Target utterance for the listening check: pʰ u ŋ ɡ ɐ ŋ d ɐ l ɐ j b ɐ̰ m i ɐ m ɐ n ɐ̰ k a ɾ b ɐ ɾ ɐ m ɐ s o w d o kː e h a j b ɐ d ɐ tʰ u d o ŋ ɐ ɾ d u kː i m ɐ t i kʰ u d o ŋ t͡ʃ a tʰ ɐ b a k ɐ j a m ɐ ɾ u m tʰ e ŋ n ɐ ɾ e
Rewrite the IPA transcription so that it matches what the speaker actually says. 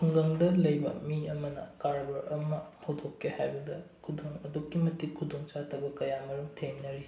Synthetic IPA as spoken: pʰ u ŋ ɡ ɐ ŋ d ɐ l ɐ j b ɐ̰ m i ɐ m ɐ n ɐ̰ k a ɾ b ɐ ɾ ɐ m ɐ h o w d o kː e h a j b ɐ d ɐ kʰ u d o ŋ ɐ d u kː i m ɐ t i kʰ u d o ŋ t͡ʃ a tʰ ɐ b ɐ k ɐ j a m ɐ ɾ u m tʰ e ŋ n ɐ ɾ i